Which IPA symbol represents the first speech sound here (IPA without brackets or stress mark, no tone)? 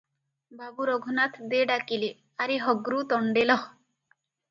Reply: b